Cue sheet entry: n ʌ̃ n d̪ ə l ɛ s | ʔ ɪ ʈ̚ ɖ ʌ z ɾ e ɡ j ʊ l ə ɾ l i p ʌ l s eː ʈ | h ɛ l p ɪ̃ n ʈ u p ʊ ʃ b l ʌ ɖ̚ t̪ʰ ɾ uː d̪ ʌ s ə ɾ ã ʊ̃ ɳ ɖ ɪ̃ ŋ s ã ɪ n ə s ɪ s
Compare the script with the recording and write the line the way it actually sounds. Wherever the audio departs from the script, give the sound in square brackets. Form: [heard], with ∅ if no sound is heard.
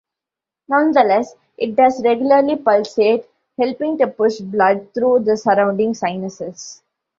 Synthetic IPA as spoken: n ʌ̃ n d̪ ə l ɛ s | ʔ ɪ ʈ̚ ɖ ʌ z ɾ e ɡ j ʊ l ə ɾ l i p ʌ l s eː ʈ | h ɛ l p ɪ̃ [ŋ] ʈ u p ʊ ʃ b l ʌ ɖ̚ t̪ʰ ɾ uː d̪ [ə] s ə ɾ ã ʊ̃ ɳ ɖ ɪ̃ ŋ s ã ɪ n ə s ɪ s